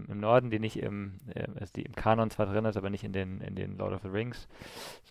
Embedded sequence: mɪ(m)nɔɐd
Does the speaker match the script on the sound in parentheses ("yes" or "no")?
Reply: yes